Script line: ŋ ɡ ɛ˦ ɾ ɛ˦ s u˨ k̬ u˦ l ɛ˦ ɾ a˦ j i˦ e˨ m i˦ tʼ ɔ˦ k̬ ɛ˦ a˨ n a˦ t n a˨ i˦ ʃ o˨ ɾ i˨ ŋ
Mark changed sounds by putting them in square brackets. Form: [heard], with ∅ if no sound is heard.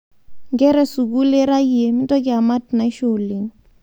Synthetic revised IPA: ŋ ɡ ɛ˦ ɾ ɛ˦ s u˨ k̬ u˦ l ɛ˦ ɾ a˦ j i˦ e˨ m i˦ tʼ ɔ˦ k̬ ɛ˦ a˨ [m] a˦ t n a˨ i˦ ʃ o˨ [l] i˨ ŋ